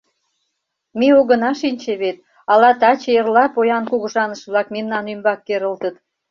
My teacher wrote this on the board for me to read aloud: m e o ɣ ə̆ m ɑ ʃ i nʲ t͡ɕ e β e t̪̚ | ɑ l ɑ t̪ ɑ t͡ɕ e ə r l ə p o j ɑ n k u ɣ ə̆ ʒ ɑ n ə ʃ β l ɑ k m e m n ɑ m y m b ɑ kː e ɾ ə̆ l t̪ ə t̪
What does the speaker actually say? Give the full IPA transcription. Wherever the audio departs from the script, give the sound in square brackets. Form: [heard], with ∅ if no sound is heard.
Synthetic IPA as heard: m e o ɣ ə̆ [n] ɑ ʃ i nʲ t͡ɕ e β e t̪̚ | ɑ l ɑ t̪ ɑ t͡ɕ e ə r l [ɑ] p o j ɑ n k u ɣ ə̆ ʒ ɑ n ə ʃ β l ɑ k m e m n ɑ [n] y m b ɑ kː e ɾ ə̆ l t̪ ə t̪